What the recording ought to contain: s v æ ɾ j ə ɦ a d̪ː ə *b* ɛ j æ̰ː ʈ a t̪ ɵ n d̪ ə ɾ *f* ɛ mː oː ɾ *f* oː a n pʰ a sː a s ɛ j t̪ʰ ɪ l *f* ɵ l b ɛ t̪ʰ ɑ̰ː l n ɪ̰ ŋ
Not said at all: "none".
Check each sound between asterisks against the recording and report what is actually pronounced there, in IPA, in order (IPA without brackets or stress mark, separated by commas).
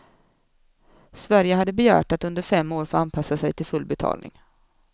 b, f, f, f